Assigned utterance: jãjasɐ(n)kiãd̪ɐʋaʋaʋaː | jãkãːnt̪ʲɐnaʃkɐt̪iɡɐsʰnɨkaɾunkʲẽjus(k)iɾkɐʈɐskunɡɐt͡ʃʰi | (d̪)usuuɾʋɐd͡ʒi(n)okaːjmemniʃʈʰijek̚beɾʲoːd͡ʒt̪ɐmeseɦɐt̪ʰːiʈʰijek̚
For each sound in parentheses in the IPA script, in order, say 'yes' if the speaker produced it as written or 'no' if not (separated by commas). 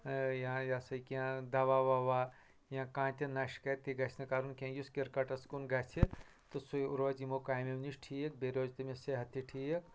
no, yes, no, no